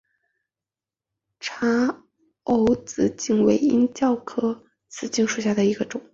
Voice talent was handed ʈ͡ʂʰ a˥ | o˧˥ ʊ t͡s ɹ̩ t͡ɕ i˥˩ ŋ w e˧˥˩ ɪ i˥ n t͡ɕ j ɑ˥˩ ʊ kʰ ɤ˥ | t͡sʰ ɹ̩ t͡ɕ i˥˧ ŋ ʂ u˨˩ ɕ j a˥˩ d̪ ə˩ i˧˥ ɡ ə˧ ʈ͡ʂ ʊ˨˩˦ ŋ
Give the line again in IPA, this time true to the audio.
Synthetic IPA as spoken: ʈ͡ʂʰ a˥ | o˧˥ ʊ t͡s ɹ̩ t͡ɕ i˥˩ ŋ w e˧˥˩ ɪ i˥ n t͡ɕ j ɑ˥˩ ʊ kʰ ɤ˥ | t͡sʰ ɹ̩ t͡ɕ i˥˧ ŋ ʂ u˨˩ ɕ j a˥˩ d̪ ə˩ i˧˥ ɡ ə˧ ʈ͡ʂ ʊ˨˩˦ ŋ